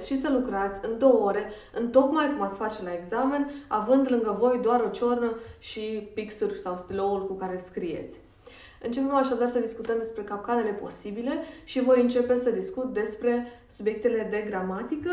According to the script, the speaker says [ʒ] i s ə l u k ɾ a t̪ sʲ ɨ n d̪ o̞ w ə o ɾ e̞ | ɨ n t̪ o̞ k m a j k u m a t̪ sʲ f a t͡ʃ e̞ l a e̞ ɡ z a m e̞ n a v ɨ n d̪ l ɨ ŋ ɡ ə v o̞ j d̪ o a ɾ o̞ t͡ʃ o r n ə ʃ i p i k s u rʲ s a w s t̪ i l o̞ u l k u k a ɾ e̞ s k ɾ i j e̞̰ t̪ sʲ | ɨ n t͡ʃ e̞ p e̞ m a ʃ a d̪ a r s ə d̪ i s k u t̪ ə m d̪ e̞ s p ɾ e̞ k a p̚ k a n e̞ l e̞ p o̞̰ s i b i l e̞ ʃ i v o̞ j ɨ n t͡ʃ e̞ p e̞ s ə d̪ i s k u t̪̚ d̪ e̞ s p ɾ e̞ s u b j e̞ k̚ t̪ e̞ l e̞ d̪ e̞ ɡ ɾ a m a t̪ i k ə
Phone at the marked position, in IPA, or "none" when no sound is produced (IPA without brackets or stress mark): ʃ